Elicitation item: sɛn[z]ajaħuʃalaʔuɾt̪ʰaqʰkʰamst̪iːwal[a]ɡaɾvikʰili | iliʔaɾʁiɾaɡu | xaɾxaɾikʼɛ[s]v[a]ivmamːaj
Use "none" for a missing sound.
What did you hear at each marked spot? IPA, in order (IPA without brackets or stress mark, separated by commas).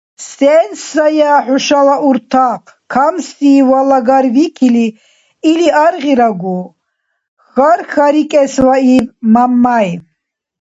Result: s, a, s, a